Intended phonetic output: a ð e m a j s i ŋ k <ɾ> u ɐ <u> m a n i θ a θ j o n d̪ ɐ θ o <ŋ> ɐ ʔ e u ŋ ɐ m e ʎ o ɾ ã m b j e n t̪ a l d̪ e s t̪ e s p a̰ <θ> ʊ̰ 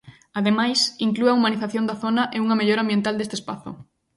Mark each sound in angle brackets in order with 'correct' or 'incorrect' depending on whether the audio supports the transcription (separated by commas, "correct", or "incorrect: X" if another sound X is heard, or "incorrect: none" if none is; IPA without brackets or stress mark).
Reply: incorrect: l, correct, incorrect: n, correct